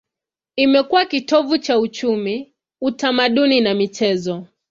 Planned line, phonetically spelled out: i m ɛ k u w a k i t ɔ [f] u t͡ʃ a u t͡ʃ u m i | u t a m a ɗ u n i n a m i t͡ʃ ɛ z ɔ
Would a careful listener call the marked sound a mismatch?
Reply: yes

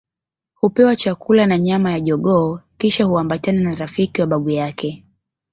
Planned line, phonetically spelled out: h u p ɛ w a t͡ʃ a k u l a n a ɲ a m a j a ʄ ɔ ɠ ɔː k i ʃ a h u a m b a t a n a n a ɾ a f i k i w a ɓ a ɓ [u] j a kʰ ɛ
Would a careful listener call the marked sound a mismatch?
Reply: no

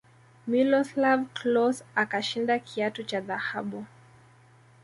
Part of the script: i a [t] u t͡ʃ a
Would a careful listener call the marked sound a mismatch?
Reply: no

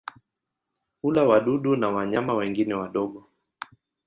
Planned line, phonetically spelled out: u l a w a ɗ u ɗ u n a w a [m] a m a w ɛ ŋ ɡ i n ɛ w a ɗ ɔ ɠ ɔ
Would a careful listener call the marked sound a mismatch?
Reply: yes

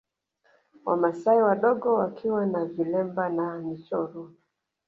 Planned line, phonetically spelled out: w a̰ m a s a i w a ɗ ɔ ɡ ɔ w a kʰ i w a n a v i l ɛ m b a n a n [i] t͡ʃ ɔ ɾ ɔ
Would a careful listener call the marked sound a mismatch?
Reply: no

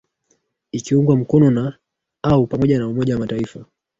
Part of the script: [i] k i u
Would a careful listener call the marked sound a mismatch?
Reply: no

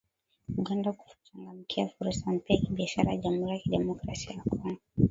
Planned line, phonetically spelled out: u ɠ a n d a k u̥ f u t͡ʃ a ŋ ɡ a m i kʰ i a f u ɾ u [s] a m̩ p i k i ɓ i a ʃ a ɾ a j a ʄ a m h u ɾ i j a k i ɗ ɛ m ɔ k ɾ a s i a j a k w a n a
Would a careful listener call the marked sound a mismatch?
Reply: no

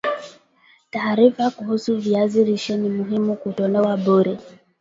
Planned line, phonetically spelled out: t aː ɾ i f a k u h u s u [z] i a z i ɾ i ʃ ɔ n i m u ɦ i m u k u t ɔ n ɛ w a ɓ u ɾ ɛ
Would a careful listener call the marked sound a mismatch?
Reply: yes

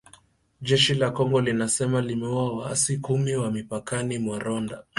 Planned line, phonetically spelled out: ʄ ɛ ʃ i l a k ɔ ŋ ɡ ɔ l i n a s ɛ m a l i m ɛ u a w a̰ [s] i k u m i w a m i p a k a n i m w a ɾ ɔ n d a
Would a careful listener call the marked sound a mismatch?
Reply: no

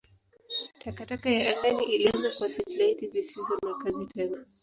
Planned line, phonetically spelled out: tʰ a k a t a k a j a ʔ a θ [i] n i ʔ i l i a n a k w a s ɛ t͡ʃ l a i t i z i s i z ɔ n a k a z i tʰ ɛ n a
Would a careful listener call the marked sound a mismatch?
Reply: yes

